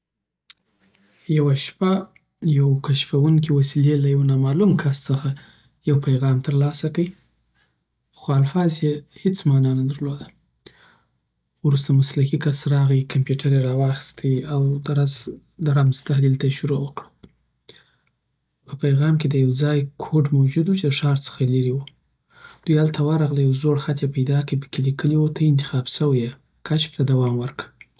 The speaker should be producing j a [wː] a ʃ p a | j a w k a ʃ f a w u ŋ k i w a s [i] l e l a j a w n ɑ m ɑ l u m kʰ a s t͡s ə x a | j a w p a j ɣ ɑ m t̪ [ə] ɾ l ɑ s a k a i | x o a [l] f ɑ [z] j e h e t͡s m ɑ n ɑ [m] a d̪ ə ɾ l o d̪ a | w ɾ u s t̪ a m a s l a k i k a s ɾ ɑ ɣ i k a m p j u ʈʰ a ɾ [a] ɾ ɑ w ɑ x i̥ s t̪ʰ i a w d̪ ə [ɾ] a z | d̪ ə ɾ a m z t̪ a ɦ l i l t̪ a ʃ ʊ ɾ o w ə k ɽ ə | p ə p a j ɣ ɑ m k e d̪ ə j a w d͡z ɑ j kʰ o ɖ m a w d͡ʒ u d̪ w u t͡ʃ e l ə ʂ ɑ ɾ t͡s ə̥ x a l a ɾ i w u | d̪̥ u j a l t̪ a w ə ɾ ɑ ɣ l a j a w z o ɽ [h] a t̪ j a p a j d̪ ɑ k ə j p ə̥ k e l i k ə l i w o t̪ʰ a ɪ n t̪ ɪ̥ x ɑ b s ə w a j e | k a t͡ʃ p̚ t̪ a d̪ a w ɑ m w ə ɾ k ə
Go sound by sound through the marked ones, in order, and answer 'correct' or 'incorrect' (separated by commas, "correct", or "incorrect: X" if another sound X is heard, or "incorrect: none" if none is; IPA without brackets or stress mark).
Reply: incorrect: w, correct, correct, correct, correct, incorrect: n, incorrect: e, correct, incorrect: x